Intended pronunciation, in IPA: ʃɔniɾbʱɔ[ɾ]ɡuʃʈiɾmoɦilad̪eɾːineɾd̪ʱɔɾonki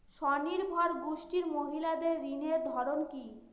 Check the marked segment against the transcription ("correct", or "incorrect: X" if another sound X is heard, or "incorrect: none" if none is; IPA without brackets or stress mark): correct